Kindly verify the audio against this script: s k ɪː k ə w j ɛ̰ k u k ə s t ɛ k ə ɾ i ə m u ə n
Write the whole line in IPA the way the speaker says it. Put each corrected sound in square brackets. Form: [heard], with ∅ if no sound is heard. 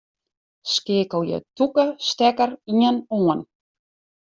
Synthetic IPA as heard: s k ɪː k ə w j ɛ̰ [t] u k ə s t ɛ k ə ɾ i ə [n] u ə n